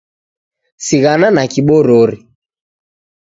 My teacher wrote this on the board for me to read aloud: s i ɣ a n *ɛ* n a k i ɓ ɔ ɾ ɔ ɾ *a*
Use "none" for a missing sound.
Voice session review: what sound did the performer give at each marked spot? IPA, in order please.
a, i

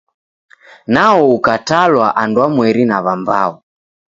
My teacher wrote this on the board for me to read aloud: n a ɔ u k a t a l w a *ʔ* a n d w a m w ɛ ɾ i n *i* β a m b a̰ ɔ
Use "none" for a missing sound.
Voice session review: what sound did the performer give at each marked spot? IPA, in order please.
ʔ, a

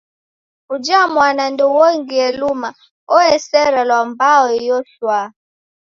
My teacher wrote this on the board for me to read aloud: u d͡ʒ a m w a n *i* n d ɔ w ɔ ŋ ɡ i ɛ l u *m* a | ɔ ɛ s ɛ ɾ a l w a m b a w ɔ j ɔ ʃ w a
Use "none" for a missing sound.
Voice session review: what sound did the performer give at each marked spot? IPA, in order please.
a, m

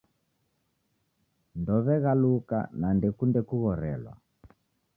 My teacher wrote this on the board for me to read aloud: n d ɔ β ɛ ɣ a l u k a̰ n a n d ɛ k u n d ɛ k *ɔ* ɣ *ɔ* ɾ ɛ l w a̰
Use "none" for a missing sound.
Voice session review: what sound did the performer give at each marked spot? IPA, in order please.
u, ɔ

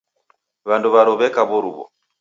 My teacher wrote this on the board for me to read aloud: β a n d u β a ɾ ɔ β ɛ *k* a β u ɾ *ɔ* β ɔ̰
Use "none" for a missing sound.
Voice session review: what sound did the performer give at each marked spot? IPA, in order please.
k, u

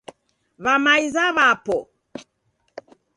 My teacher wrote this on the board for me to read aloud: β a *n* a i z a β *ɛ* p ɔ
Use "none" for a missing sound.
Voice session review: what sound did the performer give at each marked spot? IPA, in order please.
m, a

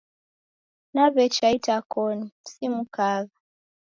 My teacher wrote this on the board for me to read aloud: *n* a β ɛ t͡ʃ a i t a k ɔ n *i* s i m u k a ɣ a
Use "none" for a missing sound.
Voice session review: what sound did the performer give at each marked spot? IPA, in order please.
n, i

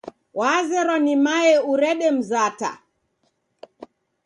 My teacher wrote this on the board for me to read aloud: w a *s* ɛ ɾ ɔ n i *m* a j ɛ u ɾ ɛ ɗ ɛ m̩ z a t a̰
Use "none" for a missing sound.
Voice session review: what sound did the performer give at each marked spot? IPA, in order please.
z, m

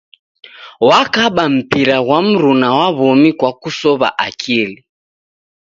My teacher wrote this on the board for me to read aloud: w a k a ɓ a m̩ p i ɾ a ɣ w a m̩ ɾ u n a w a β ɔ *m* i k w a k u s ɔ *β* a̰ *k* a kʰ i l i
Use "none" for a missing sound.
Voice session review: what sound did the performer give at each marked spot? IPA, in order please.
m, β, ʔ

